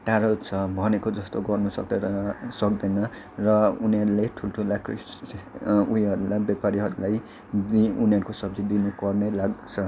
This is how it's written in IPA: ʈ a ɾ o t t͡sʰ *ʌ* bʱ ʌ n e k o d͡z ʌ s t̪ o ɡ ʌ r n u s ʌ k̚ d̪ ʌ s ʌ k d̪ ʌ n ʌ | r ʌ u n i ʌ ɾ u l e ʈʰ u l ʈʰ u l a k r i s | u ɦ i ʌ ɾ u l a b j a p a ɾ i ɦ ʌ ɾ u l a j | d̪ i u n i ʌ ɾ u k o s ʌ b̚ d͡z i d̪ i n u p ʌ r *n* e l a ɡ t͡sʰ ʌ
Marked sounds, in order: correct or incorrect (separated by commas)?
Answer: correct, correct